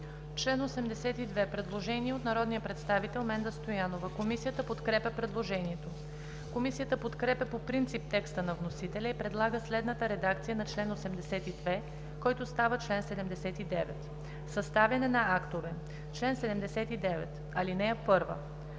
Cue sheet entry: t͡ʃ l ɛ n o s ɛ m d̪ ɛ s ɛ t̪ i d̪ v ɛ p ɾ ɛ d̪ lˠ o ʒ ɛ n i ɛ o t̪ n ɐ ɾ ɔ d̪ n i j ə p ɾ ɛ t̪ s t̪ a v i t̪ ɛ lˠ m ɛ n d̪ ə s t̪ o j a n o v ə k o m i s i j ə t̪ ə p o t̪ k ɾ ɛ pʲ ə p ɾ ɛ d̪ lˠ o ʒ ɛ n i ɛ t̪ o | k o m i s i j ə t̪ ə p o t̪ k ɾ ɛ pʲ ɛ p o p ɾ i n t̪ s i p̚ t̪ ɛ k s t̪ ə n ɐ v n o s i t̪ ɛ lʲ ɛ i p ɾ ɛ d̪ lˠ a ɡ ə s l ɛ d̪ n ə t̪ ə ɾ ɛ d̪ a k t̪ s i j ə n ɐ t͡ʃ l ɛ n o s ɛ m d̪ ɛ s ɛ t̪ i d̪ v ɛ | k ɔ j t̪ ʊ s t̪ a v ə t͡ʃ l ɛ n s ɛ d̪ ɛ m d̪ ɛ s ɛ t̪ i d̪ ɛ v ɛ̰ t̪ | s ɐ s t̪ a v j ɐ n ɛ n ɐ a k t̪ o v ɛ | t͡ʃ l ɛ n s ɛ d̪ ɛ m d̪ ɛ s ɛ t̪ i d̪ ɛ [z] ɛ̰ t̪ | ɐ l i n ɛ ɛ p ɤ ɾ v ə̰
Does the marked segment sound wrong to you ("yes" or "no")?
yes